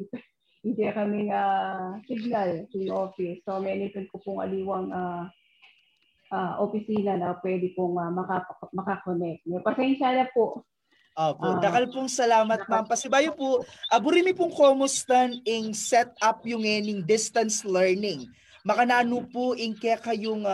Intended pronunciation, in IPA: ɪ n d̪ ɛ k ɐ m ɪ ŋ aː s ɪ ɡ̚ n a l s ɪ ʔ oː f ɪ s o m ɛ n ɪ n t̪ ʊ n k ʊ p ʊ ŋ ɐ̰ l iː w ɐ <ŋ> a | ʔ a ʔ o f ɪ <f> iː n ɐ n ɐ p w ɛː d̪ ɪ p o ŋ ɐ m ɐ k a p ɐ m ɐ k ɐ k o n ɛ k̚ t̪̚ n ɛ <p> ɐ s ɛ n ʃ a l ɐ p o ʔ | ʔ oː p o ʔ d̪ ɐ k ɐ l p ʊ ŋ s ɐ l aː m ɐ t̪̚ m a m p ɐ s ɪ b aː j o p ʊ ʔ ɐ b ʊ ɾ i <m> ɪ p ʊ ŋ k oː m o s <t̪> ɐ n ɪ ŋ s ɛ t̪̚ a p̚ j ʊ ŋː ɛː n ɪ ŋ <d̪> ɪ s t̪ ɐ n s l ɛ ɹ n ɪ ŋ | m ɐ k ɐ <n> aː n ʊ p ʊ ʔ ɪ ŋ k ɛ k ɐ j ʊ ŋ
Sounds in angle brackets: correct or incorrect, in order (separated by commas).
correct, incorrect, correct, correct, correct, correct, correct